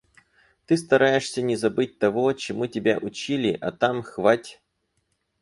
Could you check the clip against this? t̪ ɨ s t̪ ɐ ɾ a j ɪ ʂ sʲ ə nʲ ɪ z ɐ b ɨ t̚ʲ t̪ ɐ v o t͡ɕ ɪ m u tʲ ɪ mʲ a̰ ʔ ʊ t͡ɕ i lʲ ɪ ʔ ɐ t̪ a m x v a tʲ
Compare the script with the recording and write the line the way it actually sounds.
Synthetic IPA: t̪ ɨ s t̪ ɐ ɾ a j ɪ ʂ sʲ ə nʲ ɪ z ɐ b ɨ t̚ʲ t̪ ɐ v o t͡ɕ ɪ m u tʲ ɪ bʲ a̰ ʔ ʊ t͡ɕ i lʲ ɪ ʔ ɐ t̪ a m x v a tʲ